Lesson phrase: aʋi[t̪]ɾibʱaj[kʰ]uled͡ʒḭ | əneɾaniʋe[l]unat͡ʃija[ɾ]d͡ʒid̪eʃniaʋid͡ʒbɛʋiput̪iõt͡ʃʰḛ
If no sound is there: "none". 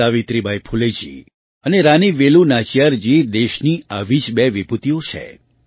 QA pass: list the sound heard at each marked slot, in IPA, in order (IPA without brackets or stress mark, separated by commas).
t̪, pʰ, l, ɾ